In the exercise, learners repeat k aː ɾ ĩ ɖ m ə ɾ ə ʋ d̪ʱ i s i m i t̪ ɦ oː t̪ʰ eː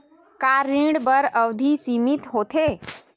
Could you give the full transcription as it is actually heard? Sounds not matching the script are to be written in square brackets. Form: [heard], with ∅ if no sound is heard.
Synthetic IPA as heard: k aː ɾ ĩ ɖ [b] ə ɾ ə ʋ d̪ʱ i s i m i t̪ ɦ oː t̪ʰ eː